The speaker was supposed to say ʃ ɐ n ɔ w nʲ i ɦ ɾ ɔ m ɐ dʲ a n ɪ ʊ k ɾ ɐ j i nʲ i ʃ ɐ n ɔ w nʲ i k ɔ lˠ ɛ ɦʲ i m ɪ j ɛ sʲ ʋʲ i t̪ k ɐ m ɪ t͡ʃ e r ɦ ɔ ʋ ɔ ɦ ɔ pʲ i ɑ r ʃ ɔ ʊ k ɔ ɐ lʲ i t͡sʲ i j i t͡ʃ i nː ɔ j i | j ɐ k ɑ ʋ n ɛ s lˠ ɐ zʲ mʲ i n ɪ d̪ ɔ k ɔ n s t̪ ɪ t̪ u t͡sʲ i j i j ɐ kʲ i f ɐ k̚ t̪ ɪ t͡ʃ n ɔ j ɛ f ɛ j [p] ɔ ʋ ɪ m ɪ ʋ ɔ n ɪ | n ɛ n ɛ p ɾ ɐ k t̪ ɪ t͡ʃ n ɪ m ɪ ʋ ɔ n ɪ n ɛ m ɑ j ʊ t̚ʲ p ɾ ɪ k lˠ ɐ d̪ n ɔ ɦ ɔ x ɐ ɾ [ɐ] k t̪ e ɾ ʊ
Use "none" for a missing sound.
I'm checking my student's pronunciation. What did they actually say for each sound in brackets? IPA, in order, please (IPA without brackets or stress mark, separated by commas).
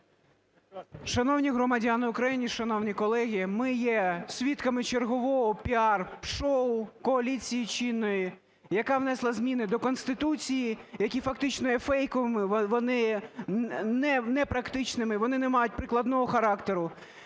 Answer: k, ɑ